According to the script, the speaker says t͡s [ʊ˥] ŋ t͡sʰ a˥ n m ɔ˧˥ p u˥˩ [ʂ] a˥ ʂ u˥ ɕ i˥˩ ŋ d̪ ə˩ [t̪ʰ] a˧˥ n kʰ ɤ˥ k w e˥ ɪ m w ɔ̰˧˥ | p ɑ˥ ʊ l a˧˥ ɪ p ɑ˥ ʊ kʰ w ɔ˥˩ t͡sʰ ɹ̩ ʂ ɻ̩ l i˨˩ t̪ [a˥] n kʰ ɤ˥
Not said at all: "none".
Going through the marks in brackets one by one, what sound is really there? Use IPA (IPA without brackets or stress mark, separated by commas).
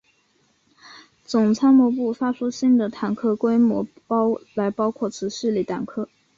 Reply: ʊ˨˩, f, t̪ʰ, a˨˩